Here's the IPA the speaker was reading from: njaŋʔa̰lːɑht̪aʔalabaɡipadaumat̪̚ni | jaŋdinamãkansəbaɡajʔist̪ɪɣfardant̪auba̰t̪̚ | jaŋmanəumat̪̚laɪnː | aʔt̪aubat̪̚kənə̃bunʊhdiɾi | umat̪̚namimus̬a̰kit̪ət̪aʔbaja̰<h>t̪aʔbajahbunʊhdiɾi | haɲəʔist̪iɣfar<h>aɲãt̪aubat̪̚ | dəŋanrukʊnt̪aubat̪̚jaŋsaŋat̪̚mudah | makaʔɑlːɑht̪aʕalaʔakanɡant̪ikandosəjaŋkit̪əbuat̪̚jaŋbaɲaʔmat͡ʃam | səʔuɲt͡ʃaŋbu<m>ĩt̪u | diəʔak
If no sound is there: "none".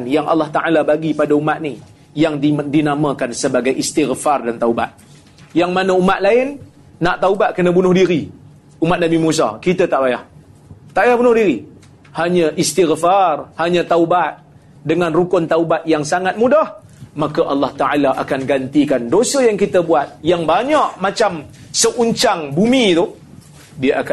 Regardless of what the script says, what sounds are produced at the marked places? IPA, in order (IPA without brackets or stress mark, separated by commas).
h, h, m